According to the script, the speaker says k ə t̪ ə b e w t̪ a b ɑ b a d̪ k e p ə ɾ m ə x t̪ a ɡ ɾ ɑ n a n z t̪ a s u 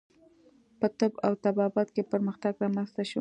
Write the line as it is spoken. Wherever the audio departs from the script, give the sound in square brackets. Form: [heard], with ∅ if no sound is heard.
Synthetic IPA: [p] ə t̪ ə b [a] w t̪ a b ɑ b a [t̪] k e p ə ɾ m ə x t̪ a ɡ ɾ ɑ [m] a n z t̪ a [ʃ] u